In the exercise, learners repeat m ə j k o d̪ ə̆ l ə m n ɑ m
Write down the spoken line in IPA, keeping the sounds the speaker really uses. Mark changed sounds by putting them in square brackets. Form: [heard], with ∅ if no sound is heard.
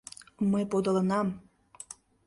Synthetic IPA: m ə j [p] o d̪ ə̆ l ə [∅] n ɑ m